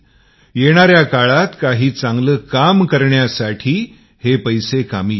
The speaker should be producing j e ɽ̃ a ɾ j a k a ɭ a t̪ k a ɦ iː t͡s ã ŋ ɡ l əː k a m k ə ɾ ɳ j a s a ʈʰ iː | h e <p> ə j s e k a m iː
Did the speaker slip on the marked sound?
no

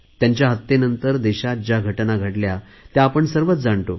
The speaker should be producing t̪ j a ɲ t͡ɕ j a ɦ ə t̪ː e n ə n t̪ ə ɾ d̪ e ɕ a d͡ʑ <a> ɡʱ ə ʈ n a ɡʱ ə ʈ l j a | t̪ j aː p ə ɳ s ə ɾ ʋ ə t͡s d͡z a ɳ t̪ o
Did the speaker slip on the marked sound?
no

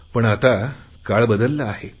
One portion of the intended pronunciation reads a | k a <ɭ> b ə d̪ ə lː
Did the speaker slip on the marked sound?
no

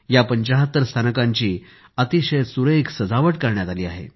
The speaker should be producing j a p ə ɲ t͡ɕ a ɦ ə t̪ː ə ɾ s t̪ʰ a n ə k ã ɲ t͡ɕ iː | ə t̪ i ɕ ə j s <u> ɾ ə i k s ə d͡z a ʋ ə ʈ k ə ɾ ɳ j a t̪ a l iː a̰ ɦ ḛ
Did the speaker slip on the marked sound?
no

